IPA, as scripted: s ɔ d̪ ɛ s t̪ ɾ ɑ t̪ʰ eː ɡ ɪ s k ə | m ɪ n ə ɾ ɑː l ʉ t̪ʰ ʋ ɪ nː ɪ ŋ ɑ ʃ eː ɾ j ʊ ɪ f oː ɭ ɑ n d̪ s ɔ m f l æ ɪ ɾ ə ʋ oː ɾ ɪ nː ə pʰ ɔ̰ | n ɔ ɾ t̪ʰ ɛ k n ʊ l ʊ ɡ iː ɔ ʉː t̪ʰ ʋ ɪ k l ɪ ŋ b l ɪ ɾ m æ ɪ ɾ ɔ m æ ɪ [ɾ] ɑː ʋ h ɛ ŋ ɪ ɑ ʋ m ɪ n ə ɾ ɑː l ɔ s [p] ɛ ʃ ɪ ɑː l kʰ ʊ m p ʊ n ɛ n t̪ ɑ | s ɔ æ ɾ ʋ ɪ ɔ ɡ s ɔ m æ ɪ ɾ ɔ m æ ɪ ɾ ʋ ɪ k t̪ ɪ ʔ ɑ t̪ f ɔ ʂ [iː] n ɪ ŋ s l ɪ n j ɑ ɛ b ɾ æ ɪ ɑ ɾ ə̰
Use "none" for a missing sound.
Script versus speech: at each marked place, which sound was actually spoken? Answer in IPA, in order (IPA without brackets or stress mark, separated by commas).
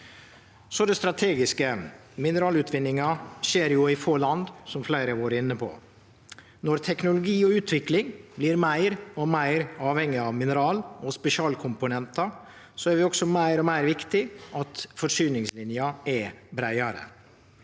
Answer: ɾ, p, yː